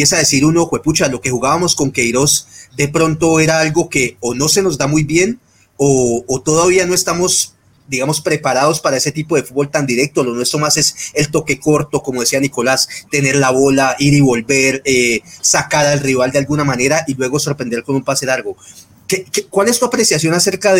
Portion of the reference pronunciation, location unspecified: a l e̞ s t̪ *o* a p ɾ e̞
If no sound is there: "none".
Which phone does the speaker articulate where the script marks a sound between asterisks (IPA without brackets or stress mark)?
u